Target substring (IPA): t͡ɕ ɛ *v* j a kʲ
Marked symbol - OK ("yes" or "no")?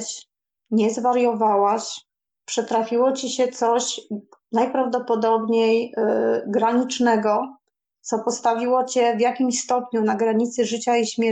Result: yes